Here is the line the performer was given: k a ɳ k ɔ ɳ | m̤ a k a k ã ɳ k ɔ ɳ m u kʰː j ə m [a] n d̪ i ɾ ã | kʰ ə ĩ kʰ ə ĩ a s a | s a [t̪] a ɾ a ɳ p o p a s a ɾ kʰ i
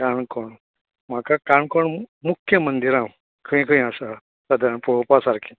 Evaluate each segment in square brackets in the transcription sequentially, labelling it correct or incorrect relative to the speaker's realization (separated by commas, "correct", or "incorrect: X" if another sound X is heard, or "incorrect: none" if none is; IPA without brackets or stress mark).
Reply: incorrect: ə, incorrect: d̪